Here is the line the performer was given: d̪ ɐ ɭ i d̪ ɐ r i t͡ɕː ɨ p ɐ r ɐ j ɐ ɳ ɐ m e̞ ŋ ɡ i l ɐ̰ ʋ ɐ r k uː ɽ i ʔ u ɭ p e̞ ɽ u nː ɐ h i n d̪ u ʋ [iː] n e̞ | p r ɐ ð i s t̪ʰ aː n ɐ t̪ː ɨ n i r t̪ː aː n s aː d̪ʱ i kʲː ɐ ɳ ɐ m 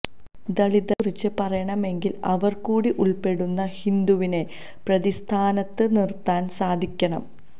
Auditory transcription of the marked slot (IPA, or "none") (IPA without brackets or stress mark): i